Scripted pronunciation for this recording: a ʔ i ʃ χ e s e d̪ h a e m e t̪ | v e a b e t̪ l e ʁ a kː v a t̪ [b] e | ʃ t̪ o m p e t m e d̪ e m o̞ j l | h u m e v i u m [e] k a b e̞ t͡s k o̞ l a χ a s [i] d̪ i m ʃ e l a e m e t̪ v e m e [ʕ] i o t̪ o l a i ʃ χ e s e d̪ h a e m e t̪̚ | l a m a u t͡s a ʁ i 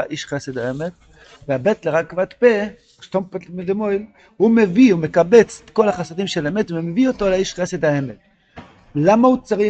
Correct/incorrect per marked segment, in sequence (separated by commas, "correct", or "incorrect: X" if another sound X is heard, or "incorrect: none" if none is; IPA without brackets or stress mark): incorrect: p, correct, incorrect: a, incorrect: v